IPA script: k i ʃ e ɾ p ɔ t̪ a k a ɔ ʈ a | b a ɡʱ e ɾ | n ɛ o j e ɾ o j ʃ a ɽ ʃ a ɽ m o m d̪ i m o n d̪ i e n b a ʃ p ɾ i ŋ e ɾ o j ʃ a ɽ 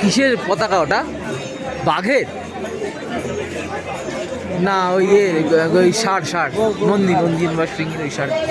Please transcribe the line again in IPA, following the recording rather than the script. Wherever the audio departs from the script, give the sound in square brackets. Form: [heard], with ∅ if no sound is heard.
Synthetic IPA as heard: k i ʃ e ɾ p ɔ t̪ a k a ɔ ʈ a | b a ɡʱ e ɾ | n [a] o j e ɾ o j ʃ a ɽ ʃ a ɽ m o [n] d̪ i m o n d̪ i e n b a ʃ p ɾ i ŋ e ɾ o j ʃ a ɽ